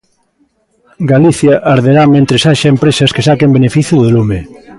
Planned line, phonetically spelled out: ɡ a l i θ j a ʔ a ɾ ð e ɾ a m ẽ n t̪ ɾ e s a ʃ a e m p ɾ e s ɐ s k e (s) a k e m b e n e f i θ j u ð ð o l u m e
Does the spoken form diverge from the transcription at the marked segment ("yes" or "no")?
no